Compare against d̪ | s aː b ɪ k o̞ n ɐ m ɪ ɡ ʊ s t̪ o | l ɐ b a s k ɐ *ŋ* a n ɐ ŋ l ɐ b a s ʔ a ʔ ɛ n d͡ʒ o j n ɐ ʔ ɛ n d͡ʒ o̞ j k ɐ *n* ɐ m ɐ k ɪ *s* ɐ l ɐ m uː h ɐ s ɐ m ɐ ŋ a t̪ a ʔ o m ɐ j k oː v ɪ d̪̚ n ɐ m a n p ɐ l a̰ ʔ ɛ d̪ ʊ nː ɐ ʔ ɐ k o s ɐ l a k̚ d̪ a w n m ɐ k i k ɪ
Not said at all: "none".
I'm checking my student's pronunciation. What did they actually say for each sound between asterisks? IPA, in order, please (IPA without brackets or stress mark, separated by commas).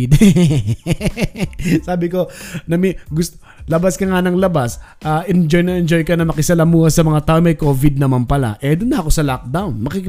ŋ, n, s